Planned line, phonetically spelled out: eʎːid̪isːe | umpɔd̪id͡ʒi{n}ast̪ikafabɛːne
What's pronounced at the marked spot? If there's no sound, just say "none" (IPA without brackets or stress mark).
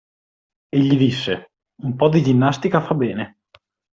nː